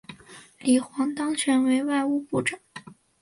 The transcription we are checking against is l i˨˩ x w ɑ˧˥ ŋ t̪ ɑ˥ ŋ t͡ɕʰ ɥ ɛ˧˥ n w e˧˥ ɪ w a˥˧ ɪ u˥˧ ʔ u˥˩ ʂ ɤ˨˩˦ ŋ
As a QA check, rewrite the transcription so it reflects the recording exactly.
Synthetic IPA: l i˨˩ x w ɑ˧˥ ŋ t̪ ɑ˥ ŋ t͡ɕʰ ɥ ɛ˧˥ n w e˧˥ ɪ w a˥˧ ɪ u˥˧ p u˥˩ ʈ͡ʂ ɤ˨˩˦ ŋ